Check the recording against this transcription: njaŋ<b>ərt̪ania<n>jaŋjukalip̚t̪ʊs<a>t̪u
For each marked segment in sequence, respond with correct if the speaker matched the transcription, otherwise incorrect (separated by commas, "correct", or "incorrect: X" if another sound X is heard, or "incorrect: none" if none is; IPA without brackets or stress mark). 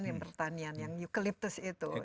incorrect: p, correct, incorrect: i